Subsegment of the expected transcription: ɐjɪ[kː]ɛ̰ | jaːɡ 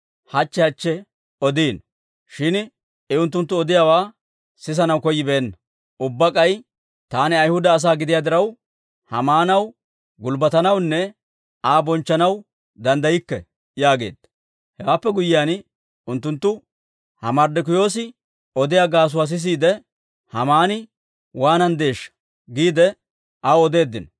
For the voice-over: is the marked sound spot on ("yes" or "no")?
yes